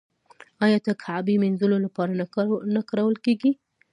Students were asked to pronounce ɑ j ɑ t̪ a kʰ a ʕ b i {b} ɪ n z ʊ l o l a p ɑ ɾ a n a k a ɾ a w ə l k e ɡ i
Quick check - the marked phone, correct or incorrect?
incorrect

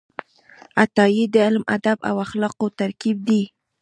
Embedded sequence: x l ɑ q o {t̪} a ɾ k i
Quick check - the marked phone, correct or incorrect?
correct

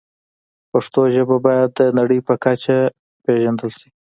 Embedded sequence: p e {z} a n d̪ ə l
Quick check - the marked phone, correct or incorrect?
incorrect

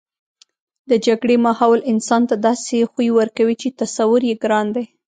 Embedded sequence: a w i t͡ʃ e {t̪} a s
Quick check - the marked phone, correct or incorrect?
correct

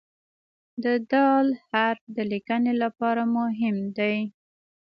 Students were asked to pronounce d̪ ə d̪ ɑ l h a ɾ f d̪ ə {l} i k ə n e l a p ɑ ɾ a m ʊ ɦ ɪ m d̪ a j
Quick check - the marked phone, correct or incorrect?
correct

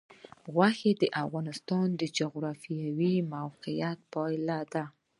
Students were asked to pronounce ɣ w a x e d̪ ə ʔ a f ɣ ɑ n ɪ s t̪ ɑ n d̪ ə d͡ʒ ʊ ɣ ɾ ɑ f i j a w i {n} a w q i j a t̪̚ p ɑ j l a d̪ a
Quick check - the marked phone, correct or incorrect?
incorrect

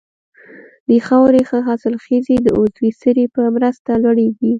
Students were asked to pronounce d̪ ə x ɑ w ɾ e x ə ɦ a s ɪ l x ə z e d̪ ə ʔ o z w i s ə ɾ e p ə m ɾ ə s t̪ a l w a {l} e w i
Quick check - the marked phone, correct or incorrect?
incorrect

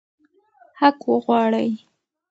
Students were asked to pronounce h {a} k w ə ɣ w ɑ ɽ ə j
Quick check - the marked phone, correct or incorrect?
correct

